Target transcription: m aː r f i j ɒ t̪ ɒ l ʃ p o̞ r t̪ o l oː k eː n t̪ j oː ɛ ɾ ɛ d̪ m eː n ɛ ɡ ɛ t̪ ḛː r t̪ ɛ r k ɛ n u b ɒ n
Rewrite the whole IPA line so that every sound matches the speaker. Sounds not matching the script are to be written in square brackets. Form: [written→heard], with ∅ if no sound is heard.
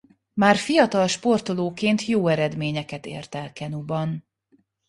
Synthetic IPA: m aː r f i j ɒ t̪ ɒ l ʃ p o̞ r t̪ o l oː k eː n t̪ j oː ɛ ɾ ɛ d̪ m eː [n→ɲ] ɛ [ɡ→k] ɛ t̪ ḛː r t̪ ɛ [r→l] k ɛ n u b ɒ n